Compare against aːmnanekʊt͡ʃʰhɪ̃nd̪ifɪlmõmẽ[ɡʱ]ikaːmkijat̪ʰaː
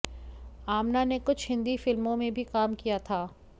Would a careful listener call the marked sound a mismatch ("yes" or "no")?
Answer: yes